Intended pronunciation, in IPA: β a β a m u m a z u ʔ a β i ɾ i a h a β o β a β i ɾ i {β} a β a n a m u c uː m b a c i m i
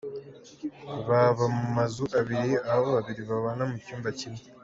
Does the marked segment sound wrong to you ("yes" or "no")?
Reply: no